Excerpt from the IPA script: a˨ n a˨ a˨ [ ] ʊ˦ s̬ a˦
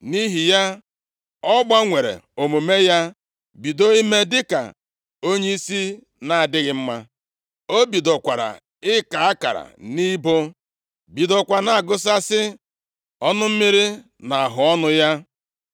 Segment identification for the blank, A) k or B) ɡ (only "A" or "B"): B